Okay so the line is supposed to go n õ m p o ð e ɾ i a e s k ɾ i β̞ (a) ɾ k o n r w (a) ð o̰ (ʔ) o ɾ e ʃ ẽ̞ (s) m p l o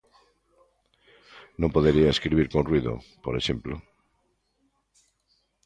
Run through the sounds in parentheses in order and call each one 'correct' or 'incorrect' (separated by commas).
incorrect, incorrect, incorrect, incorrect